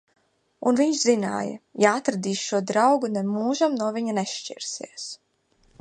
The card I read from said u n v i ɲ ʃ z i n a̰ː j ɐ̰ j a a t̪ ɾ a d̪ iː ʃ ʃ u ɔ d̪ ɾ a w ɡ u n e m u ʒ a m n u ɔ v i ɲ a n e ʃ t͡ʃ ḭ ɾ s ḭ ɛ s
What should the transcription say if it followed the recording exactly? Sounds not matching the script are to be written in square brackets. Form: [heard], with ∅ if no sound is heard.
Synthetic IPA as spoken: u n v i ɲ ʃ z i n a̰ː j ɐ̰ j a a t̪ ɾ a d̪ iː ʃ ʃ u ɔ d̪ ɾ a w ɡ u n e m [uː] ʒ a m n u ɔ v i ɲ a n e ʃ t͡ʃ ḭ ɾ s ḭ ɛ s